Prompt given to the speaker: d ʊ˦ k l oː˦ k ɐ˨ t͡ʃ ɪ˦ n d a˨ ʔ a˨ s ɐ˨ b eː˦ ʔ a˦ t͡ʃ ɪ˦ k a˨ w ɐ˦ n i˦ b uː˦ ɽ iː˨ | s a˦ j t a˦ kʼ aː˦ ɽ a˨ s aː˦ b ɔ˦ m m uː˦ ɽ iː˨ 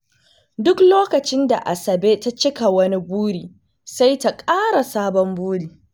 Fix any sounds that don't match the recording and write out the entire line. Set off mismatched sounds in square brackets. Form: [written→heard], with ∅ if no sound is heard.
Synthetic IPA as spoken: d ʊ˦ k l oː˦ k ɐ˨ t͡ʃ ɪ˦ n d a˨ ʔ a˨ s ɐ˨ b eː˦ [ʔ→t] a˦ t͡ʃ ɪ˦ k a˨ w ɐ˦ n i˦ b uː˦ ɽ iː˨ | s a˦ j t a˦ kʼ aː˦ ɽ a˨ s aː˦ b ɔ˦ m [m→b] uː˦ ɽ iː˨

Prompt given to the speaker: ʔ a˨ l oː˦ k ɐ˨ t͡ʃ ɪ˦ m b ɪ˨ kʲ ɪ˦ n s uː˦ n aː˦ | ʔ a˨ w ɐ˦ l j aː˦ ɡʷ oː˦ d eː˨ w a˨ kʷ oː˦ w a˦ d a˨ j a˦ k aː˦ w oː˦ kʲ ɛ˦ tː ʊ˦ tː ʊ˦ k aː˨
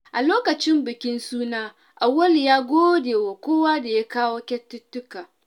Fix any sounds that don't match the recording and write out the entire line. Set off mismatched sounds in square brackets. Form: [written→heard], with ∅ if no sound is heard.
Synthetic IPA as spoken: ʔ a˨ l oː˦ k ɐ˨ t͡ʃ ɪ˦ m b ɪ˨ kʲ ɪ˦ n s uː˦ n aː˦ | ʔ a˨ w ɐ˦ l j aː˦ ɡʷ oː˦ d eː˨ w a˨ kʷ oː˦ w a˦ d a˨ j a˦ k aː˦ w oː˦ kʲ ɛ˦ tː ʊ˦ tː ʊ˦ k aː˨

